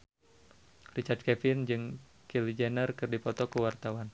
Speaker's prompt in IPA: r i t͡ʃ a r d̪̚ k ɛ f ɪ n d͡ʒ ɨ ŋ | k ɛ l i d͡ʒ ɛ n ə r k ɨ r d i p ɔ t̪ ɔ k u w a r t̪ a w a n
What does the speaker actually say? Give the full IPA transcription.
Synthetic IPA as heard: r i t͡ʃ a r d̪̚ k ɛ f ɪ n d͡ʒ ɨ ŋ | k i l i d͡ʒ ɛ n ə r k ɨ r d i p ɔ t̪ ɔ k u w a r t̪ a w a n